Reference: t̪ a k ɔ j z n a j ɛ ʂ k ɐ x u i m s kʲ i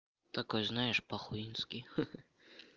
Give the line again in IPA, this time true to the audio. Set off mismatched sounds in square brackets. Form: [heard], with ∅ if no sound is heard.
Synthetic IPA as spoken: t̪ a k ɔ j z n a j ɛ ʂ [p] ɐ x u i [n] s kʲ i